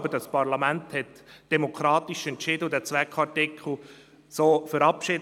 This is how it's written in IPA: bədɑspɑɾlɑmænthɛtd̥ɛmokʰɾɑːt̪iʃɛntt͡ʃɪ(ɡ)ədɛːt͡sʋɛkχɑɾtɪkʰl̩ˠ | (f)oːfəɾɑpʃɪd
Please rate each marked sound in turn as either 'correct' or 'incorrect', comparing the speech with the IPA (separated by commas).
incorrect, incorrect